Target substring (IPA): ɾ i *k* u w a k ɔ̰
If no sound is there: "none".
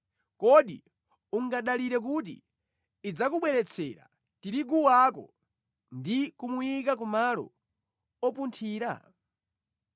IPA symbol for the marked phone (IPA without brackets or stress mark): ɡ